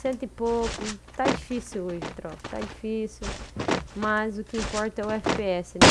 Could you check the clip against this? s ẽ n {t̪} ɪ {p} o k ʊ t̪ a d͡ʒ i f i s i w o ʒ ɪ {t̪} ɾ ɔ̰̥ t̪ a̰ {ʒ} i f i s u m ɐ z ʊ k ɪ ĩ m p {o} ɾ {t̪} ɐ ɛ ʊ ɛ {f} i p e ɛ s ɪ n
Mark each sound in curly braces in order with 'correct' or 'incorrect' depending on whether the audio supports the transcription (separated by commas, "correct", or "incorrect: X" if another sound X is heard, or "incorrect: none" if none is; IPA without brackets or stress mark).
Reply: correct, correct, correct, incorrect: d͡ʒ, incorrect: ɔ, correct, correct